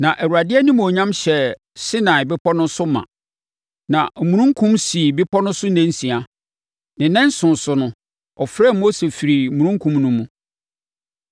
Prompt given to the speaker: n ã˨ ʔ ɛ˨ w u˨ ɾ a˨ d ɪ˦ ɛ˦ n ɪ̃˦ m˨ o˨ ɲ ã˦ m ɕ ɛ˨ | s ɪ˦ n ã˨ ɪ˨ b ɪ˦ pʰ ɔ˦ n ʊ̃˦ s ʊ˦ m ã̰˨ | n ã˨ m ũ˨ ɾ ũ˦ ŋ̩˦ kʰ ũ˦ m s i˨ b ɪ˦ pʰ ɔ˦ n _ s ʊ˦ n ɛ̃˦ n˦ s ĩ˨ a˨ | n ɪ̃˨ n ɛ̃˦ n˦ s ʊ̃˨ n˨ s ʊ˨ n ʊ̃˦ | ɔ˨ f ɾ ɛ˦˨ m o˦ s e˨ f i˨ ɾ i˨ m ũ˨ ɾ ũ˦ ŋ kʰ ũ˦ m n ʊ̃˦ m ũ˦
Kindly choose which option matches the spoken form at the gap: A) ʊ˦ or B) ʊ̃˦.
B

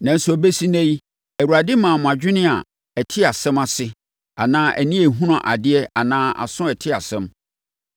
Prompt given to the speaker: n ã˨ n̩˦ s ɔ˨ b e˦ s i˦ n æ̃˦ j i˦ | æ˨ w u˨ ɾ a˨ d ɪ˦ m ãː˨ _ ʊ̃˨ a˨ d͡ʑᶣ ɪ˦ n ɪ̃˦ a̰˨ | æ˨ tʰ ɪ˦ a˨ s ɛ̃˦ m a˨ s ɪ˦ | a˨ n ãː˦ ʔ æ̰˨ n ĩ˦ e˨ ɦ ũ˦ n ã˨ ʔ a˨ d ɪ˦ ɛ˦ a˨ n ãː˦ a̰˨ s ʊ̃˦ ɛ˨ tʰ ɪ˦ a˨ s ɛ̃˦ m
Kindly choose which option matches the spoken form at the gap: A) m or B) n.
A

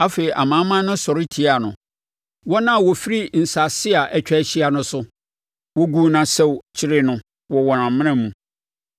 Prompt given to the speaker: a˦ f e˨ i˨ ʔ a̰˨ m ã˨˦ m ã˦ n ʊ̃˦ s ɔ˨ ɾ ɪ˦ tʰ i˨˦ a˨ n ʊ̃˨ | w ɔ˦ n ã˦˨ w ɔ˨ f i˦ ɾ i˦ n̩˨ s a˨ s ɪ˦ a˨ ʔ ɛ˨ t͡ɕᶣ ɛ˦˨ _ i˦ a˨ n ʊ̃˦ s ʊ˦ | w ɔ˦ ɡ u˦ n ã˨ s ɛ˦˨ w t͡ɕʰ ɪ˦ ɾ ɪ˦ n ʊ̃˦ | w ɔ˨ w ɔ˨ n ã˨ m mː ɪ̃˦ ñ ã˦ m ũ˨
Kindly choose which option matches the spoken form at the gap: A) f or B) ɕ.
B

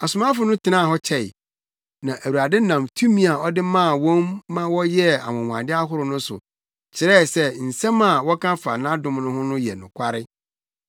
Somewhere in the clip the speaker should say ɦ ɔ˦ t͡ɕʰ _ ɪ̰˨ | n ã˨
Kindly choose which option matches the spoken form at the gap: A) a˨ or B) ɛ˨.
B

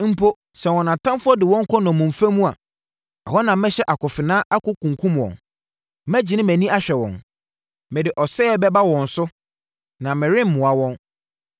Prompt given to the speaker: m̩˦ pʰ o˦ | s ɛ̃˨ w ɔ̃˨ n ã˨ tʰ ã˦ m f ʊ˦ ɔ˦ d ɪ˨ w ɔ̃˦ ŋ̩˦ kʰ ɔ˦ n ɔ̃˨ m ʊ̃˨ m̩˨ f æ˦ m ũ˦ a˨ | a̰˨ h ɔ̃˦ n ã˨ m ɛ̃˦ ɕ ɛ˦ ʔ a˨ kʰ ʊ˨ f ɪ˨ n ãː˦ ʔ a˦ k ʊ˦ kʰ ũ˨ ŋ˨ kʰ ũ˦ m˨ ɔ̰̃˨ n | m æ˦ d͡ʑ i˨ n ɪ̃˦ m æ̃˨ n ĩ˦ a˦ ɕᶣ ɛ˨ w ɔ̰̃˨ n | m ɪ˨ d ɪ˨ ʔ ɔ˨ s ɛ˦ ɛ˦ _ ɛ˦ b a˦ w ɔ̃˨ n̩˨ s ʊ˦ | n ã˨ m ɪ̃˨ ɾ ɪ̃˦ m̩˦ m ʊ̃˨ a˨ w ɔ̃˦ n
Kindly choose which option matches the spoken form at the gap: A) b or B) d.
A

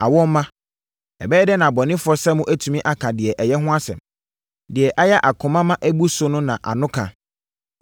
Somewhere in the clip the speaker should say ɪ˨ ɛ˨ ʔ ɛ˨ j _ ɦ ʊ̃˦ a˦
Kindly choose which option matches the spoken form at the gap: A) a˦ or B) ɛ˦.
B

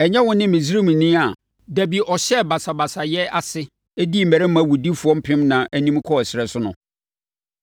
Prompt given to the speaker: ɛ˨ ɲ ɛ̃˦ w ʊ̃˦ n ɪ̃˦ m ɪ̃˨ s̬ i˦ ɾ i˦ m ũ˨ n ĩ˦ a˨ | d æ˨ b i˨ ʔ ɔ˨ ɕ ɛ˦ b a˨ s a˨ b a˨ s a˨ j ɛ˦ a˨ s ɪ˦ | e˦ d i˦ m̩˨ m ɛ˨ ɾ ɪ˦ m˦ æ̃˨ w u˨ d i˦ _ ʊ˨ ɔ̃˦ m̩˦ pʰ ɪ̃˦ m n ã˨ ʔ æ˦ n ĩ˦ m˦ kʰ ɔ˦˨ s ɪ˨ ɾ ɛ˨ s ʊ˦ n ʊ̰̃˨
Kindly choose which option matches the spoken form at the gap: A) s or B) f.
B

